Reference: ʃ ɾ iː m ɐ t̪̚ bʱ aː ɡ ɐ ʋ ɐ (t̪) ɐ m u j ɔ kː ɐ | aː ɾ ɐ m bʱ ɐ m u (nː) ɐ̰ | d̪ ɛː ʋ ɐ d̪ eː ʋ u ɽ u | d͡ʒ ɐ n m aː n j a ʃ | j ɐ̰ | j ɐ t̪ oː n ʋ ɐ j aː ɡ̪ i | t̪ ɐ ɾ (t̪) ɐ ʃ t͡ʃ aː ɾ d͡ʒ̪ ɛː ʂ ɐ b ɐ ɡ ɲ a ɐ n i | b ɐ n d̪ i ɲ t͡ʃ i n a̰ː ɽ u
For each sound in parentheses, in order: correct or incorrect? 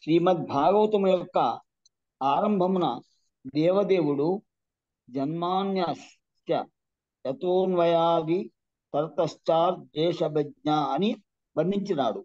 correct, incorrect, correct

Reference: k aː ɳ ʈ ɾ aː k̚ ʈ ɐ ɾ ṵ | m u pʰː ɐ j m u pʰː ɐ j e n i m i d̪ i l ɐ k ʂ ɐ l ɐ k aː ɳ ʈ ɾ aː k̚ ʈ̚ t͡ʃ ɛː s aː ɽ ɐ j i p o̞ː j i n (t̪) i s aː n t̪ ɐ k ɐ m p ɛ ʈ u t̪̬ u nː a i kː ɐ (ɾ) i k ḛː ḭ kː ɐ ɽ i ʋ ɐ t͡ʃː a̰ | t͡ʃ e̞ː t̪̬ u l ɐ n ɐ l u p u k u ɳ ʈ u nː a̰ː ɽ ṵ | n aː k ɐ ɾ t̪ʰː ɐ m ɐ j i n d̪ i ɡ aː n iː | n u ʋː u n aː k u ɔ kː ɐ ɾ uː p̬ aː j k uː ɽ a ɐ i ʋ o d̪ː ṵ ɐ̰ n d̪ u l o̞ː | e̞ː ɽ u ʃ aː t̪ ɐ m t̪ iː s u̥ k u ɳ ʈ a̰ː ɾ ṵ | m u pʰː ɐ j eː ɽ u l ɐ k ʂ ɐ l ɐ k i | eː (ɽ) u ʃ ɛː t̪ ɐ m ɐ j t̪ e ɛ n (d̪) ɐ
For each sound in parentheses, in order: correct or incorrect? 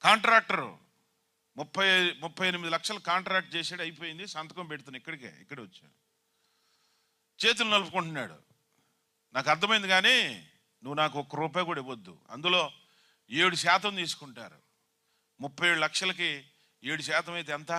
incorrect, incorrect, correct, incorrect

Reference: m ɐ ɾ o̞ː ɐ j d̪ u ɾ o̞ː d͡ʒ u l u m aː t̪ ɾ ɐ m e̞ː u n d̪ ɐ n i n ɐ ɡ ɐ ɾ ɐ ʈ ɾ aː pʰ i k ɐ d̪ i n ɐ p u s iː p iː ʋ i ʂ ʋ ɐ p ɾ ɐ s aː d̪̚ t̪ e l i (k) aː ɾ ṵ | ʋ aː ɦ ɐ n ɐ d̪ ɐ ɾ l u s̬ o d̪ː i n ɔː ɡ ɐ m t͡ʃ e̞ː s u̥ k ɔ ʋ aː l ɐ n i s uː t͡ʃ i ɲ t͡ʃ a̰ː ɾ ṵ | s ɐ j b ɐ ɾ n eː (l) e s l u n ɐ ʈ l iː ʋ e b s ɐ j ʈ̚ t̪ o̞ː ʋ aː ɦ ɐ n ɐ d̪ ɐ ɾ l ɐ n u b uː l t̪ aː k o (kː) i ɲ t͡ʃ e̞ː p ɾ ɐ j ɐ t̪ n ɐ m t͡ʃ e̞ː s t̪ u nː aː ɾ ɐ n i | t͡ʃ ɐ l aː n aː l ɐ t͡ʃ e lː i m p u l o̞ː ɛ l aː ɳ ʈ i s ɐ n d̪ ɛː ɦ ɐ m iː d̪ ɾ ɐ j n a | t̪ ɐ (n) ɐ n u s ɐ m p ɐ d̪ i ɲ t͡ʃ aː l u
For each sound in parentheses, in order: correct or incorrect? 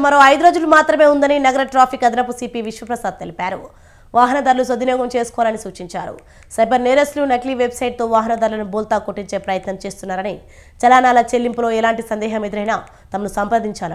incorrect, incorrect, incorrect, incorrect

